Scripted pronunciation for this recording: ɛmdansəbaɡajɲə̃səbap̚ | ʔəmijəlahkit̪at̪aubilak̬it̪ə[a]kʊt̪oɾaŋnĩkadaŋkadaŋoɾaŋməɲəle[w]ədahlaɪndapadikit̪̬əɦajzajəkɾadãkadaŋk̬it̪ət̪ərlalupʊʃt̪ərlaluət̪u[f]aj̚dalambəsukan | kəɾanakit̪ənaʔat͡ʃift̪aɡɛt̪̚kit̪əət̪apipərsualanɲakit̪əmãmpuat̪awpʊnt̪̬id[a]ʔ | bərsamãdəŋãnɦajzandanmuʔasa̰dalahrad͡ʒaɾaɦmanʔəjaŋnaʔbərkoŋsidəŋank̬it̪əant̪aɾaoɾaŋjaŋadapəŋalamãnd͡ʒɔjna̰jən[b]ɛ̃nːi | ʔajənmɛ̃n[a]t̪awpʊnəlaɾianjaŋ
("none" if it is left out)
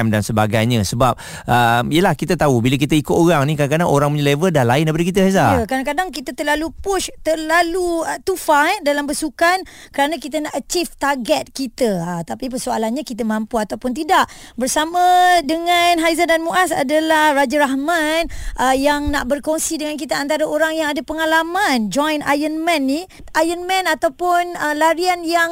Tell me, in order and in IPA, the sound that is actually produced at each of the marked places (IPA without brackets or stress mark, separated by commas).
i, v, f, a, m, a